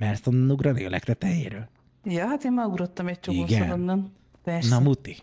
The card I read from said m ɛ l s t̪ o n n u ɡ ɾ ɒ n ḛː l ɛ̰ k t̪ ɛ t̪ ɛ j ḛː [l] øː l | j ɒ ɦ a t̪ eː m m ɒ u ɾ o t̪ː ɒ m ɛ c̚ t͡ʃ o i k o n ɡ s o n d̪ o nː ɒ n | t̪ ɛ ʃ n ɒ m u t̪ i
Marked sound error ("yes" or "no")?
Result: yes